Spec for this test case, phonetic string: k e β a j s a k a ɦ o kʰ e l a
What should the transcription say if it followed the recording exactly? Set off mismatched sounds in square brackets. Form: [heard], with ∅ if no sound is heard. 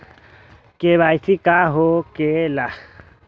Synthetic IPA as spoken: k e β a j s [i] k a ɦ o [k] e l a